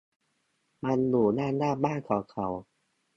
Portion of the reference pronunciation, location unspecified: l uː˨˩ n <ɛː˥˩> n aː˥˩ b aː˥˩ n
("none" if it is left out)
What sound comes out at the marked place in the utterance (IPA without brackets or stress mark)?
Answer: aː˥˩